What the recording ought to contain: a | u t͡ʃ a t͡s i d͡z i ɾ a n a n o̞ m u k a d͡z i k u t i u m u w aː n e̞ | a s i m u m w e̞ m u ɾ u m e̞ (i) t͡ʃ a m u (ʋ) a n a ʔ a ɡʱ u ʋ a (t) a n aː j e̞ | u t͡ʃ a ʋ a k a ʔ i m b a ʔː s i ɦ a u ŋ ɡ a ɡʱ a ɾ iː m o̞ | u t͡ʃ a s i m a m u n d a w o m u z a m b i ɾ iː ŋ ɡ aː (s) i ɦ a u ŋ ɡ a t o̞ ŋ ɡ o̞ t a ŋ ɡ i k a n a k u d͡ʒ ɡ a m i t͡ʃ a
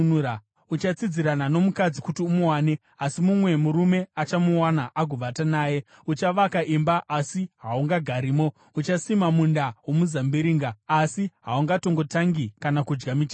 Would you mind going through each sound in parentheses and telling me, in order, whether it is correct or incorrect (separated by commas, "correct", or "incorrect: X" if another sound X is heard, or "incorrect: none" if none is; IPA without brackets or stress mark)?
incorrect: a, incorrect: w, correct, correct